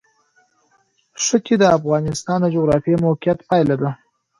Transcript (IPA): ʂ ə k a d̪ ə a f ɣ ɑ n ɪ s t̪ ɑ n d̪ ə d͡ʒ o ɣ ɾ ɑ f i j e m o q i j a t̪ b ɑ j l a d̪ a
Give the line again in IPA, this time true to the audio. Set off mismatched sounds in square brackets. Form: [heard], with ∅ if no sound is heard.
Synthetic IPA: ʂ ə k [e] d̪ ə a f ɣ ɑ n ɪ s t̪ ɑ n d̪ ə d͡ʒ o ɣ ɾ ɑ f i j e m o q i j a t̪ [p] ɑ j l a d̪ a